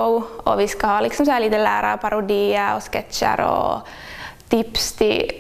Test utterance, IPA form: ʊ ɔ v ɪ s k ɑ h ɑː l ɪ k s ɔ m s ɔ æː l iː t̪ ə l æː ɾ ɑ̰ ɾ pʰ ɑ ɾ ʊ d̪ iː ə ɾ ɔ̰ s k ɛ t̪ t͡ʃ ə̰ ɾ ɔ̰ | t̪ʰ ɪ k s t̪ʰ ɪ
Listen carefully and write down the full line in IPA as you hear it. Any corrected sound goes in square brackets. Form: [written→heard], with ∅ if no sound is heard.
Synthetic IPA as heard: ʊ ɔ [v→ʋ] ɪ s k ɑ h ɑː l ɪ k s ɔ m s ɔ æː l iː t̪ ə l æː ɾ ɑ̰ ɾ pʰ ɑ ɾ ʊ d̪ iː ə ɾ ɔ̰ s k ɛ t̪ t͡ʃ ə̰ ɾ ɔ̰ | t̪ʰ ɪ [k→p] s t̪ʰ ɪ